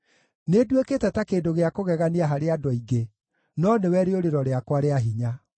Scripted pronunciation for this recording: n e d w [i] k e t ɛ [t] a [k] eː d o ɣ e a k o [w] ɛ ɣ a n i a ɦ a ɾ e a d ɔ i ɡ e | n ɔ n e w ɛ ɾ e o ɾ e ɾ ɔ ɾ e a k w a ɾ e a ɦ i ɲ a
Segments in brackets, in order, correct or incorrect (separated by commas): incorrect, correct, correct, incorrect